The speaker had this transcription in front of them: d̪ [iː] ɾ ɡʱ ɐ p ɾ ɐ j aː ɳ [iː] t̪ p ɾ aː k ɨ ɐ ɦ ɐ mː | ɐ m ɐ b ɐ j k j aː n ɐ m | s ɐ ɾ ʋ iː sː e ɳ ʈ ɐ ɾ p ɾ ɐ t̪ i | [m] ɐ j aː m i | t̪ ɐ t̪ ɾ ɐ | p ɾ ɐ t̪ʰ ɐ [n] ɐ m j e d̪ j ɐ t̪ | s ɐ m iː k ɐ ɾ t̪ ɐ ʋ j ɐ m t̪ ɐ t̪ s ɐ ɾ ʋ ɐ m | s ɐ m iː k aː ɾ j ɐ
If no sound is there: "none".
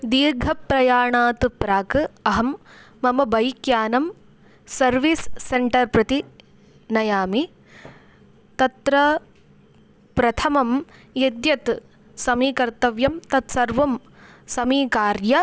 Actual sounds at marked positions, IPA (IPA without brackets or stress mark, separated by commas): iː, aː, n, m